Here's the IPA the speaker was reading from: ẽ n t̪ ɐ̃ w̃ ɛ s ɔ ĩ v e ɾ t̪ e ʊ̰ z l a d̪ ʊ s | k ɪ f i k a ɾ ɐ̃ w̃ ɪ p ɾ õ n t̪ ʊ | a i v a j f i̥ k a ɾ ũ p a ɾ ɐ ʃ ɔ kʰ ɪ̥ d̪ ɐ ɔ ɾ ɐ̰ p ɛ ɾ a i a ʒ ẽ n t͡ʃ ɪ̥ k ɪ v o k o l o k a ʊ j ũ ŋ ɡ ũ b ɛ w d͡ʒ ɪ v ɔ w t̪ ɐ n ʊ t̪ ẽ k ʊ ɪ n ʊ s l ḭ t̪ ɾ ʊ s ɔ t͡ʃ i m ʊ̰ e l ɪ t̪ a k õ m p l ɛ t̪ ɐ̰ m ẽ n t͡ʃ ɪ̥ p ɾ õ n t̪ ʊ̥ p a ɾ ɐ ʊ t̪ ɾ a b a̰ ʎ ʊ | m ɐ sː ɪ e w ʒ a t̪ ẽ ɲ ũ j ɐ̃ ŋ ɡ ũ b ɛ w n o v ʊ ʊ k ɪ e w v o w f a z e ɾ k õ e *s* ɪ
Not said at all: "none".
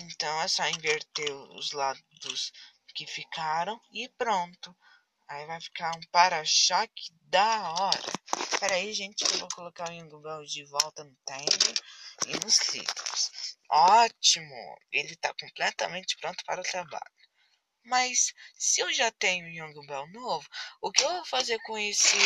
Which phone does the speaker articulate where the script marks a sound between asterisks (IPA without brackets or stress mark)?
s